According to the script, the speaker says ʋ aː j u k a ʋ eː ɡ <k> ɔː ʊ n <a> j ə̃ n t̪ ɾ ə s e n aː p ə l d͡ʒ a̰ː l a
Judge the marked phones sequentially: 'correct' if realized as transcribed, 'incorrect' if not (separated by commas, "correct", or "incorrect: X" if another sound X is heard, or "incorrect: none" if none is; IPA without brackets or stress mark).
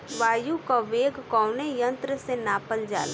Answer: correct, incorrect: e